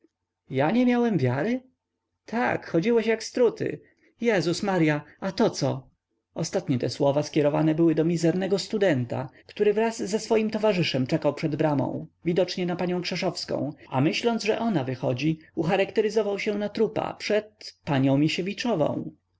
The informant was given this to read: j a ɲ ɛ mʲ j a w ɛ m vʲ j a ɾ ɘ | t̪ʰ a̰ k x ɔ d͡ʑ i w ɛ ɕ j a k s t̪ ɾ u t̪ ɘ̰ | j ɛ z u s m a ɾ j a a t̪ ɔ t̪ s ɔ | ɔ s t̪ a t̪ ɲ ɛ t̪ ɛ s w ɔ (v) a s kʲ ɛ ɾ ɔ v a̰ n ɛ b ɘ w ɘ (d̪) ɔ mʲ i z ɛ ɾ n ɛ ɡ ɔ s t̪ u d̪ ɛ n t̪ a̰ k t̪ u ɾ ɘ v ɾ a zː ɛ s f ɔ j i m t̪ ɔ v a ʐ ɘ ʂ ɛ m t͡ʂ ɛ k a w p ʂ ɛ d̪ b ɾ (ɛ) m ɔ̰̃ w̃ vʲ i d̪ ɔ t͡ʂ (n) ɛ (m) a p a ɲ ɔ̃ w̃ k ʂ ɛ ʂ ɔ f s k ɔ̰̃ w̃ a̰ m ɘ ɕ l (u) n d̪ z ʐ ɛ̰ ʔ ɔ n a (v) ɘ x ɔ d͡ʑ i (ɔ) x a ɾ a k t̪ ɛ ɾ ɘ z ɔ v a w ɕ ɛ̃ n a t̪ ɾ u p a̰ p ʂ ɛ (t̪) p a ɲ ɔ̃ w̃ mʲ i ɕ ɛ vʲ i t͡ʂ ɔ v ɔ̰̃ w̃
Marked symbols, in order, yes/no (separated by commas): yes, yes, no, no, no, no, yes, no, yes